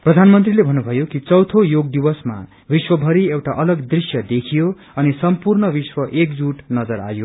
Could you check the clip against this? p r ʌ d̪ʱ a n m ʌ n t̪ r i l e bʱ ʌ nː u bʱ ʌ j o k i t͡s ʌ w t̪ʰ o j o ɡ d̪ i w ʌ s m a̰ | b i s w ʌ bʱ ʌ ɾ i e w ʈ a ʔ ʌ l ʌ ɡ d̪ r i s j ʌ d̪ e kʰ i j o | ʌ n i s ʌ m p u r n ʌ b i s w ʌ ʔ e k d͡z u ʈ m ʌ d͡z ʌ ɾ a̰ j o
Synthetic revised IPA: p r ʌ d̪ʱ a n m ʌ n t̪ r i l e bʱ ʌ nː u bʱ ʌ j o k i t͡s ʌ w t̪ʰ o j o ɡ d̪ i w ʌ s m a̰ | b i s w ʌ bʱ ʌ ɾ i e w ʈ a ʔ ʌ l ʌ ɡ d̪ r i s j ʌ d̪ e kʰ i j o | ʌ n i s ʌ m p u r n ʌ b i s w ʌ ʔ e k d͡z u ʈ n ʌ d͡z ʌ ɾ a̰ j o

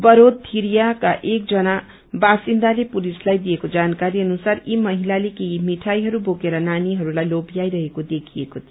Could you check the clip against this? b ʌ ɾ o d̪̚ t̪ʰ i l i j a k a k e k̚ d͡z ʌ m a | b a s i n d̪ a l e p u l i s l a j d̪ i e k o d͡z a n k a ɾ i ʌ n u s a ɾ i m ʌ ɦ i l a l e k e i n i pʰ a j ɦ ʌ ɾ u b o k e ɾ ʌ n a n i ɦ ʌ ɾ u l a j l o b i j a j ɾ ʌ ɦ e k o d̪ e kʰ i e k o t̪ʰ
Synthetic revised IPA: b ʌ ɾ o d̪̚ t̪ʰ i ɾ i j a k a ʔ e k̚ d͡z ʌ n a | b a s i n d̪ a l e p u l i s l a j d̪ i e k o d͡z a n k a ɾ i ʌ n u s a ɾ i m ʌ ɦ i l a l e k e i m i ʈʰ a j ɦ ʌ ɾ u b o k e ɾ ʌ n a n i ɦ ʌ ɾ u l a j l o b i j a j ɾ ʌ ɦ e k o d̪ e kʰ i e k o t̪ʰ

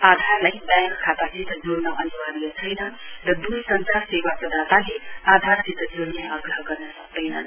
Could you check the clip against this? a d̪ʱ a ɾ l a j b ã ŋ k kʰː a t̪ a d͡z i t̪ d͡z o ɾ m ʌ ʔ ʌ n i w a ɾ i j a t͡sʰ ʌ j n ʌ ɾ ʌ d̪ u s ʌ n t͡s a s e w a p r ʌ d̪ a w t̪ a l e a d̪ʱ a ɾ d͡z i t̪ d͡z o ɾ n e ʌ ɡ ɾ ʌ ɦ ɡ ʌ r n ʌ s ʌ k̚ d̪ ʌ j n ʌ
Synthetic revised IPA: a d̪ʱ a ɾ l a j b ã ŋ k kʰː a t̪ a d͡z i t̪ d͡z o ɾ n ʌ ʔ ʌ n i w a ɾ i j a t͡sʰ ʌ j n ʌ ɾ ʌ d̪ u s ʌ n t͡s a s e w a p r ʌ d̪ a t̪ a l e a d̪ʱ a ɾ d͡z i t̪ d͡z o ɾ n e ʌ ɡ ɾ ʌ ɦ ɡ ʌ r n ʌ s ʌ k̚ d̪ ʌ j n ʌ

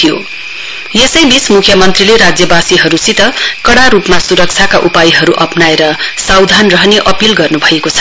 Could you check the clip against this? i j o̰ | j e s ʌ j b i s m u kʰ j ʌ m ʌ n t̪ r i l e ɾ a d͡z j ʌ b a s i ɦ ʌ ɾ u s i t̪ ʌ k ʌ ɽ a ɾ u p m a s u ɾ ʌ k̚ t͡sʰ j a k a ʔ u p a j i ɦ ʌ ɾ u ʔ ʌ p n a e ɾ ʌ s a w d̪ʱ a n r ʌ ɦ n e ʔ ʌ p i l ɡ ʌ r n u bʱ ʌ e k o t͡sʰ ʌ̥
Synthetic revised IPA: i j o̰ | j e s ʌ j b i s m u kʰ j ʌ m ʌ n t̪ r i l e ɾ a d͡z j ʌ b a s i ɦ ʌ ɾ u s i t̪ ʌ k ʌ ɽ a ɾ u p m a s u ɾ ʌ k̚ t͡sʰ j a k a ʔ u p a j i ɦ ʌ ɾ u ʔ ʌ p n a e ɾ ʌ s a w d̪ʱ a n r ʌ ɦ n e ʔ ʌ p i l ɡ ʌ r n u bʱ ʌ e k o t͡sʰ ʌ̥

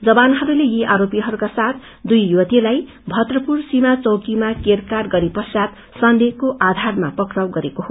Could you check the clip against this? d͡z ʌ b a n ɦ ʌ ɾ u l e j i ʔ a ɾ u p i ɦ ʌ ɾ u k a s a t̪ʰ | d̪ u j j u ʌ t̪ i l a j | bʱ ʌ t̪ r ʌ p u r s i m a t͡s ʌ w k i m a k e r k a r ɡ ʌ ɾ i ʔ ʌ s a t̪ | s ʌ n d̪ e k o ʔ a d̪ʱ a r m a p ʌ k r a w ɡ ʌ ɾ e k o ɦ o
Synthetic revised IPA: d͡z ʌ b a n ɦ ʌ ɾ u l e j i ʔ a ɾ o p i ɦ ʌ ɾ u k a s a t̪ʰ | d̪ u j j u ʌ t̪ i l a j | bʱ ʌ t̪ r ʌ p u r s i m a t͡s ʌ w k i m a k e r k a r ɡ ʌ ɾ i p ʌ s a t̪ | s ʌ n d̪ e k o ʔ a d̪ʱ a r m a p ʌ k r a w ɡ ʌ ɾ e k o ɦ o

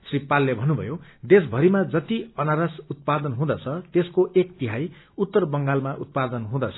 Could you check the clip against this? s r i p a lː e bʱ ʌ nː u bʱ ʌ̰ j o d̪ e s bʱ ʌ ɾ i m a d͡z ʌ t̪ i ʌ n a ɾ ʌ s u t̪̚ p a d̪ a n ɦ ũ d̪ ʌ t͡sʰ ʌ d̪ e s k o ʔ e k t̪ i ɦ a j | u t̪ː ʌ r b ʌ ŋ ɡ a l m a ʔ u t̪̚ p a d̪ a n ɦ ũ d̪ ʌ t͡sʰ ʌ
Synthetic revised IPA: s r i p a lː e bʱ ʌ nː u bʱ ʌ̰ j o d̪ e s bʱ ʌ ɾ i m a d͡z ʌ t̪ i ʌ n a ɾ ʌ s u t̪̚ p a d̪ ʌ n ɦ ũ d̪ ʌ t͡sʰ ʌ t̪ e s k o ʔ e k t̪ i ɦ a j | u t̪ː ʌ r b ʌ ŋ ɡ a l m a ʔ u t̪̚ p a d̪ ʌ n ɦ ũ d̪ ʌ t͡sʰ ʌ

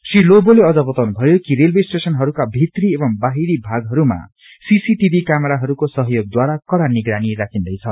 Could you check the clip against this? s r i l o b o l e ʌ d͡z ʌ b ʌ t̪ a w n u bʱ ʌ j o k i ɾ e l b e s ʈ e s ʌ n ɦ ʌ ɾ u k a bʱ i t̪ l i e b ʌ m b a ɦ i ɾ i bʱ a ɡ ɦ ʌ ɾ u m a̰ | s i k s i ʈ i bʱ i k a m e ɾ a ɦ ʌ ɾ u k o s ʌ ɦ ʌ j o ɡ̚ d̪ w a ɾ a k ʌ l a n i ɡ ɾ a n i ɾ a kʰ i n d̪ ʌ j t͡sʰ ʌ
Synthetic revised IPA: s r i l o b o l e ʌ d͡z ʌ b ʌ t̪ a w n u bʱ ʌ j o k i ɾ e l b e s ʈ e s ʌ n ɦ ʌ ɾ u k a bʱ i t̪ r i e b ʌ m b a ɦ i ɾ i bʱ a ɡ ɦ ʌ ɾ u m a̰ | s i s i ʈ i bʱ i k a m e ɾ a ɦ ʌ ɾ u k o s ʌ ɦ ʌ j o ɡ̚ d̪ w a ɾ a k ʌ ɽ a n i ɡ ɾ a n i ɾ a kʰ i n d̪ ʌ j t͡sʰ ʌ

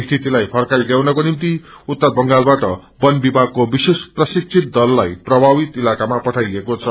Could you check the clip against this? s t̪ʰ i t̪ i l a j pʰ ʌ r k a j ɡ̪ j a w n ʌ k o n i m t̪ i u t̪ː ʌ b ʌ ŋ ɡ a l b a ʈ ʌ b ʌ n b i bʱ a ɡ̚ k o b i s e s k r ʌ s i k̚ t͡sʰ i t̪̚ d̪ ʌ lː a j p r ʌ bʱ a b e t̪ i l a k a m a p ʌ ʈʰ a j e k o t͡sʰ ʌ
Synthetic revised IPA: s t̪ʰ i t̪ i l a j pʰ ʌ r k a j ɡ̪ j a w n ʌ k o n i m t̪ i u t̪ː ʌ b ʌ ŋ ɡ a l b a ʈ ʌ b ʌ n b i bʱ a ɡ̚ k o b i s e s p r ʌ s i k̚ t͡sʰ i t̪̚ d̪ ʌ lː a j p r ʌ bʱ a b i t̪ i l a k a m a p ʌ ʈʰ a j e k o t͡sʰ ʌ

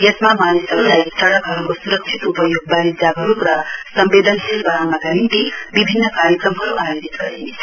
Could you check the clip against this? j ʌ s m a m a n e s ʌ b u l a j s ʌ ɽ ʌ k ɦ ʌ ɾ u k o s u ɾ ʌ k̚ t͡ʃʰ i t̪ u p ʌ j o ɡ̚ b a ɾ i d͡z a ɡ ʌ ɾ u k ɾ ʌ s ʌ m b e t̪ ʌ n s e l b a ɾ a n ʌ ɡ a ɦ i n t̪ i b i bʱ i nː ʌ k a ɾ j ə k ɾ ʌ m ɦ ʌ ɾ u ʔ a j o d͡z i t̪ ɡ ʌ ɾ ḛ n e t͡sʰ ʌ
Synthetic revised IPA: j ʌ s m a m a n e s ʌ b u l a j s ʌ ɽ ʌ k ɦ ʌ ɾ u k o s u ɾ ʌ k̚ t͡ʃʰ i t̪ u p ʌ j o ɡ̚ b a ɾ i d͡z a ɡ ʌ ɾ u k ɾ ʌ s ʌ m b e d̪ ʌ n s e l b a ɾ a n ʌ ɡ a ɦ i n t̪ i b i bʱ i nː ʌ k a ɾ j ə k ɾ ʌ m ɦ ʌ ɾ u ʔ a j o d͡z i t̪ ɡ ʌ ɾ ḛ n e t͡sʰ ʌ

